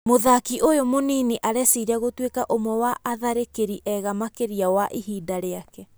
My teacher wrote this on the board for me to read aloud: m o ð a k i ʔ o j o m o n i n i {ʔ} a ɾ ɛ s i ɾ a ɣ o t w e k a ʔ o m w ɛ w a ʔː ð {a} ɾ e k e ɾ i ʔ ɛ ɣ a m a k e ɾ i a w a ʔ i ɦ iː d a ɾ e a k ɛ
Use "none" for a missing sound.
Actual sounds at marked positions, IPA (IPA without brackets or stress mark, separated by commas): ʔ, a